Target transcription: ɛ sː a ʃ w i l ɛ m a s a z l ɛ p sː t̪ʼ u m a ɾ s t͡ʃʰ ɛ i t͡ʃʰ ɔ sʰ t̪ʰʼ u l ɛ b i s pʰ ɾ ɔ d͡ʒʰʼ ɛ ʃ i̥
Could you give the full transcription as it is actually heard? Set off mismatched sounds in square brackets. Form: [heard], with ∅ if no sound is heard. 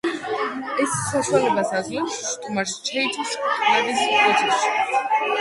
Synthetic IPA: ɛ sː a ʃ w [a] l ɛ [b] a s a z l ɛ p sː t̪ʼ u m a ɾ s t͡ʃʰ ɛ i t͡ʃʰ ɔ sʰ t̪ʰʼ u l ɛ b i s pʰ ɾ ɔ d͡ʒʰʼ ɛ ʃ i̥